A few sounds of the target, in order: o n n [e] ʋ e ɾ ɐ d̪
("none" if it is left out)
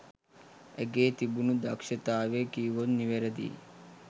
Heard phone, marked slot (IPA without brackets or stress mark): i